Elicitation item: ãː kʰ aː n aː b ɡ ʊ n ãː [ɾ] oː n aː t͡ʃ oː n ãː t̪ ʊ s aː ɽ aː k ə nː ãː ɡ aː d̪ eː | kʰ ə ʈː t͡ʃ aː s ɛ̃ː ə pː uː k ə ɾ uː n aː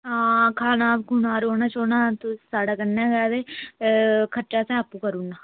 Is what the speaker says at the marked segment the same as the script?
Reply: yes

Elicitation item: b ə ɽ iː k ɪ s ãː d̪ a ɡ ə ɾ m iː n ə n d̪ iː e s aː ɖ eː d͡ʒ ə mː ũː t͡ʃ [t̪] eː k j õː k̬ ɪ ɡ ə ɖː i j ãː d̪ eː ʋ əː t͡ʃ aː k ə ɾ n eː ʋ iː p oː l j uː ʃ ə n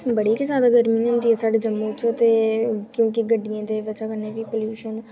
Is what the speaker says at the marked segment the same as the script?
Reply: yes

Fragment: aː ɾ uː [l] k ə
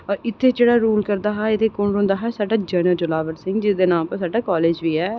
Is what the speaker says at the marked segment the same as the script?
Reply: yes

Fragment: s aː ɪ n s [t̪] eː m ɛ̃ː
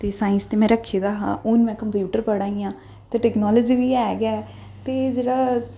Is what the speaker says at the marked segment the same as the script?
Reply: yes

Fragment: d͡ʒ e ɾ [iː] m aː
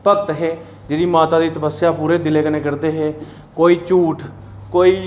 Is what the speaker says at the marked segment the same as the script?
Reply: yes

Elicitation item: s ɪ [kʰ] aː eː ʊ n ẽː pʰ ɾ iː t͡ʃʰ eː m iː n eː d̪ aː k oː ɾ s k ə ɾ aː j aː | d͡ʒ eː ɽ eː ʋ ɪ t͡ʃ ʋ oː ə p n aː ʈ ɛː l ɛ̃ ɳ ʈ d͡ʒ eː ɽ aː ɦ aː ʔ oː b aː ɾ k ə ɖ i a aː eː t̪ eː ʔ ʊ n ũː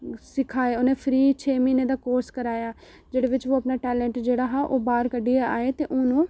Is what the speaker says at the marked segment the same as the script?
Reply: yes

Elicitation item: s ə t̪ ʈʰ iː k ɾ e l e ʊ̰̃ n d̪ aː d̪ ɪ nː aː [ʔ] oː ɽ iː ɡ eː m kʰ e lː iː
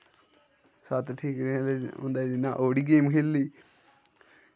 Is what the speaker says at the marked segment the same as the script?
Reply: yes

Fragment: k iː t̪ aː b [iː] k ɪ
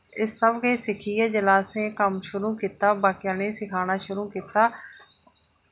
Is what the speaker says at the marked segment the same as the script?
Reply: no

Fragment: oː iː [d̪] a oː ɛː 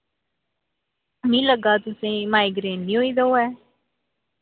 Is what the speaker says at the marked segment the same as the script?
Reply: yes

